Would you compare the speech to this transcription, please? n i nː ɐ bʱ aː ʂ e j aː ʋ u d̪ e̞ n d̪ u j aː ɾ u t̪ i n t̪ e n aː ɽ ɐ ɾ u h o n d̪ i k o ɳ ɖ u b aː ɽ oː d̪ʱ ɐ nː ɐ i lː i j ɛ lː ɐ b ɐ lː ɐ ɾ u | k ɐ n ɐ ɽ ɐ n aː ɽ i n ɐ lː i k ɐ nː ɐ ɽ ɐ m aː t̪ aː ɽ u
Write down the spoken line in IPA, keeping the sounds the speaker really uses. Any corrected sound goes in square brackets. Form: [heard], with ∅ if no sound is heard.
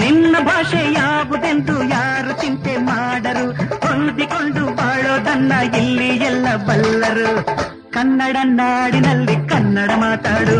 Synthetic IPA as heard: n i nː ɐ bʱ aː ʂ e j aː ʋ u d̪ e̞ n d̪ u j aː ɾ u t̪ i n t̪ e [m] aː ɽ ɐ ɾ u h o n d̪ i k o ɳ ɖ u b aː [ɭ] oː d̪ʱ ɐ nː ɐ i lː i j ɛ lː ɐ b ɐ lː ɐ ɾ u | k ɐ [nː] ɐ ɽ ɐ n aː ɽ i n ɐ lː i k ɐ nː ɐ ɽ ɐ m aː t̪ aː ɽ u